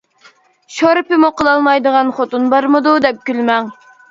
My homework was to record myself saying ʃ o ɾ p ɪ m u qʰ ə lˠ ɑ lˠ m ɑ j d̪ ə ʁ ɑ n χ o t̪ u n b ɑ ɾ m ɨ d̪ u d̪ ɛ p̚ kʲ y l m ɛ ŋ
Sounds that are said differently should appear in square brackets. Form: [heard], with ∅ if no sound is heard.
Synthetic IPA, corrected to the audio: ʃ o ɾ p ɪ m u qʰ ə lˠ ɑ lˠ m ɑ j d̪ ə ʁ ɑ n χ o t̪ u n b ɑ ɾ m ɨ d̪ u d̪ ɛ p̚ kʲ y l m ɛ ŋ